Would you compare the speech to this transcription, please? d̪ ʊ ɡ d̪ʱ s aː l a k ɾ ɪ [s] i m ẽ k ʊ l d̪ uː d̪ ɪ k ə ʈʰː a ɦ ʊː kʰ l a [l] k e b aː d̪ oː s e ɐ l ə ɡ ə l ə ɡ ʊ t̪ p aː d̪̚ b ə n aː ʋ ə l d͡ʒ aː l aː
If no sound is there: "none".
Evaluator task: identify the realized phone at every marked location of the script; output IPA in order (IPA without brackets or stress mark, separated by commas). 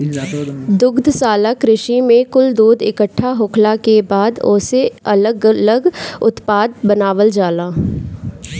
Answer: ʃ, none